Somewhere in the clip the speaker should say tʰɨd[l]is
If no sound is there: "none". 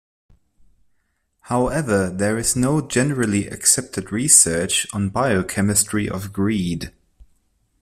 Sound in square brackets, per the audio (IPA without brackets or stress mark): ɹ